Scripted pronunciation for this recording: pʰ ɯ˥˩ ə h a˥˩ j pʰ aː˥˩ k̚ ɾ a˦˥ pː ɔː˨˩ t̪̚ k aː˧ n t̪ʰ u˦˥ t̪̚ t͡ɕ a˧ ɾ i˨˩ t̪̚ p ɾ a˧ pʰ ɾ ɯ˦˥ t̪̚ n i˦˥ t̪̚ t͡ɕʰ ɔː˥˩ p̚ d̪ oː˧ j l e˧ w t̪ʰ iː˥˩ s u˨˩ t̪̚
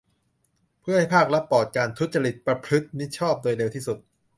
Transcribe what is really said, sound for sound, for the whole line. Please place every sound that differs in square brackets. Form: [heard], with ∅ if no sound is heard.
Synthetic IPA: pʰ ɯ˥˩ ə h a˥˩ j pʰ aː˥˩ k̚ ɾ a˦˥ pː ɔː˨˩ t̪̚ k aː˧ n t̪ʰ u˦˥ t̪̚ t͡ɕ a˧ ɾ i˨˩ t̪̚ p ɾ a˧ pʰ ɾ ɯ˦˥ t̪̚ n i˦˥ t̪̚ t͡ɕʰ ɔː˥˩ p̚ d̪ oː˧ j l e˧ w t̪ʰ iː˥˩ s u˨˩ t̪̚